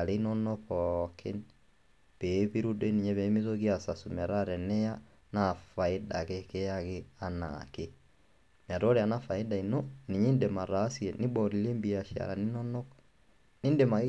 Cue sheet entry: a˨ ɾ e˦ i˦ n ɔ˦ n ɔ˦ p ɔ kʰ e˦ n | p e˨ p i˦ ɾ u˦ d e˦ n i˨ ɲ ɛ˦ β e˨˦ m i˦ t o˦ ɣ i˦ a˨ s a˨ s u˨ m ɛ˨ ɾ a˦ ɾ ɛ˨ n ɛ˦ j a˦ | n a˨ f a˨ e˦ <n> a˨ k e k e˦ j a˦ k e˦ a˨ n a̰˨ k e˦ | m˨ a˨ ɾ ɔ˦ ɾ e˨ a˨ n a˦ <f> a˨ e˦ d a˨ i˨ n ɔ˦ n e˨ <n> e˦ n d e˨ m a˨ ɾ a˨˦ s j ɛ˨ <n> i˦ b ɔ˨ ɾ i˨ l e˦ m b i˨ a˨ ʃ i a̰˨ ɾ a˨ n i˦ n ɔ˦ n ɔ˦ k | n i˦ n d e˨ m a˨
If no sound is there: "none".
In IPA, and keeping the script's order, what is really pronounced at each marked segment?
d, f, ɲ, n

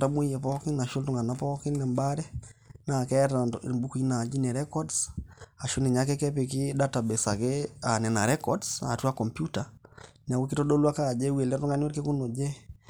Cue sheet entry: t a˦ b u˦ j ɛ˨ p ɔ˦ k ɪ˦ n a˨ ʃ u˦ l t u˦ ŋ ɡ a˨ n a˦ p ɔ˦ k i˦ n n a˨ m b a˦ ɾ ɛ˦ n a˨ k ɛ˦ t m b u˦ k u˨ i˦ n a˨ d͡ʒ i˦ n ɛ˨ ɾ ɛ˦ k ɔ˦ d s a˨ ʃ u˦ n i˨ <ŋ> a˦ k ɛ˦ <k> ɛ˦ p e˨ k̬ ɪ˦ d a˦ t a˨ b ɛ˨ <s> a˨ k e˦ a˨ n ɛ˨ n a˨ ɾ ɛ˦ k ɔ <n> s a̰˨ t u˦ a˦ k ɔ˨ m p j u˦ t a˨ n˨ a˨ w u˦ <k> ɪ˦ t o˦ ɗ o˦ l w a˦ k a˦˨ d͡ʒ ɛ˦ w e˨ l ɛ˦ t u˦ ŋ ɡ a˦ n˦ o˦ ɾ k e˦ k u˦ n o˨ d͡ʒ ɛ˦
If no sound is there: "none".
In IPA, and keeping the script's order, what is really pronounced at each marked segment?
ɲ, k, s, d, k

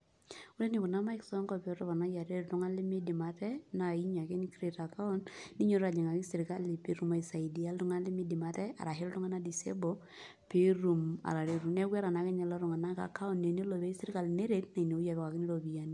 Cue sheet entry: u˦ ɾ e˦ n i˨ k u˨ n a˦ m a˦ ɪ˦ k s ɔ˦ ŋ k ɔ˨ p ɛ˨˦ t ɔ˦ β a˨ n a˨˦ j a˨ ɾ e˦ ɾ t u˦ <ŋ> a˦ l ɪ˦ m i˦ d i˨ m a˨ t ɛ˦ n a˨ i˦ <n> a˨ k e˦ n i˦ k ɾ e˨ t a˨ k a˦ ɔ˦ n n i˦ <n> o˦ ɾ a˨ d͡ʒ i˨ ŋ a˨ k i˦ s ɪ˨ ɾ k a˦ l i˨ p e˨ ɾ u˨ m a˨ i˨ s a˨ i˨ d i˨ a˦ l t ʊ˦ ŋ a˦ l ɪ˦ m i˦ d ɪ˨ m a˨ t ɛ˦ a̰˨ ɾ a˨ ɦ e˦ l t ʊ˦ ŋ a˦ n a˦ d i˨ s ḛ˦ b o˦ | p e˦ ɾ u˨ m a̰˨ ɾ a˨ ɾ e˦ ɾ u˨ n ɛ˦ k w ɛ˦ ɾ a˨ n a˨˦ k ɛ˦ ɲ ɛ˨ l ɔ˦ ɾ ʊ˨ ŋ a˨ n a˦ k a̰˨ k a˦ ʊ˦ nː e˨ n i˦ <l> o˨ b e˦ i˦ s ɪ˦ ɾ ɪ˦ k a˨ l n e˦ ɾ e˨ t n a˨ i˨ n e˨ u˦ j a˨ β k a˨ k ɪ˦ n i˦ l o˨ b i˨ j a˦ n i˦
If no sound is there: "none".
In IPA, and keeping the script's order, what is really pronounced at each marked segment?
ŋ, ɲ, ɲ, l

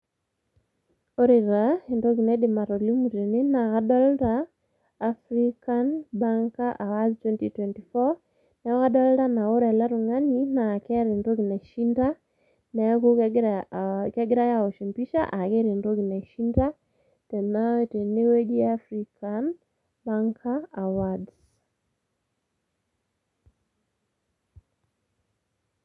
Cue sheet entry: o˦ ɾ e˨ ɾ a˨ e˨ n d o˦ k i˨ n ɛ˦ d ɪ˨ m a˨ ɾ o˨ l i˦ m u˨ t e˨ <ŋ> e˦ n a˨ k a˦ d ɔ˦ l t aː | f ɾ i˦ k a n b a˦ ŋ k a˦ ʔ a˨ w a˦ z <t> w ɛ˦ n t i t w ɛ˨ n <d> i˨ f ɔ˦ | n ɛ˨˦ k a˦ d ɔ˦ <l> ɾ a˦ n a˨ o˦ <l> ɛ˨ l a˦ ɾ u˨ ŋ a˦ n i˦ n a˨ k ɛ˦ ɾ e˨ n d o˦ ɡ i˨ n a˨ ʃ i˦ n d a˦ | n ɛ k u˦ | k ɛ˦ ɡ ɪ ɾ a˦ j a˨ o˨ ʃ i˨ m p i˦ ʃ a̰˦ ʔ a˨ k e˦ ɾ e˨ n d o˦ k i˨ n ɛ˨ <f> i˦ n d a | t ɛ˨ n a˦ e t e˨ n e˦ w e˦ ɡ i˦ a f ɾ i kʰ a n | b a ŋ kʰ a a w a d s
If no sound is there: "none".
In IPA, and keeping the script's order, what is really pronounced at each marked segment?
n, t, t, l, ɾ, ʃ

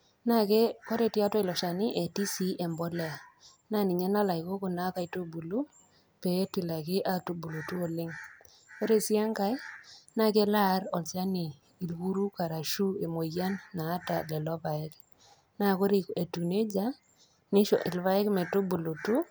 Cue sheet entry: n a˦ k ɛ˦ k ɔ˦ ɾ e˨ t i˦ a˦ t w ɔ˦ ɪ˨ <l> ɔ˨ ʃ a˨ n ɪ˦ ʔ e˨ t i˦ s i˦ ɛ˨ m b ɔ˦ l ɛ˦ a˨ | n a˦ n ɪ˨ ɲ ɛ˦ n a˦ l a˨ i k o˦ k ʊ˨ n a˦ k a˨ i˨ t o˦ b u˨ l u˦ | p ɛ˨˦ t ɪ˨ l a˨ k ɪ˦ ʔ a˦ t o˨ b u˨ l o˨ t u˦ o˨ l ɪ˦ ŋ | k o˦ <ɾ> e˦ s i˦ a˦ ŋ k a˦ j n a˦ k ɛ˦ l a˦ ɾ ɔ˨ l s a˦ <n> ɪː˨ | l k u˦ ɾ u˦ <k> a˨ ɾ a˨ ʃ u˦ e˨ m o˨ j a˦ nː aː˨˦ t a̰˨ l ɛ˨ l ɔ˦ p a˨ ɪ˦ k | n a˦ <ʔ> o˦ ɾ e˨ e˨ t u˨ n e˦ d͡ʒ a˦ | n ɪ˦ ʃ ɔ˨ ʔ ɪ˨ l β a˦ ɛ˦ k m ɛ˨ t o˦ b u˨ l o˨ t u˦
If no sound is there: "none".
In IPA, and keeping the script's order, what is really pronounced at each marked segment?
l, ɾ, n, k, k

